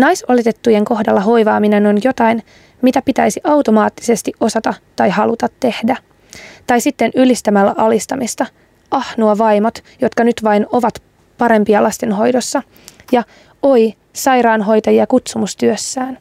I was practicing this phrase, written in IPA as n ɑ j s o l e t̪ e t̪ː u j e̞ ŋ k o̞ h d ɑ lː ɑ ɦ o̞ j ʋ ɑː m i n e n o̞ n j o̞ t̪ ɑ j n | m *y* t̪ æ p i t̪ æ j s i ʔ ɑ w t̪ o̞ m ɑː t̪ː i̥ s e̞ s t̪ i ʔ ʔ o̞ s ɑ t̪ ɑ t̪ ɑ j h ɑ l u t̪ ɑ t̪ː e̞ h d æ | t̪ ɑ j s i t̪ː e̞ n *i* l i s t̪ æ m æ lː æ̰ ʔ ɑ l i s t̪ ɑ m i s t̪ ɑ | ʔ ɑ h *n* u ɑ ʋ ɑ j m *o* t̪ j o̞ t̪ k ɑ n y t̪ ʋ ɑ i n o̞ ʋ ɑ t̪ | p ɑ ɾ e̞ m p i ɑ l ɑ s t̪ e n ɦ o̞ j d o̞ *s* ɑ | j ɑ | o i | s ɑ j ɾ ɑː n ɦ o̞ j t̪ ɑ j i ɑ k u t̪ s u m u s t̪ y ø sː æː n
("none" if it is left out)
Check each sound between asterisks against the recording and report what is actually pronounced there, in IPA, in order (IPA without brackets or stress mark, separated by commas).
i, y, n, o, sː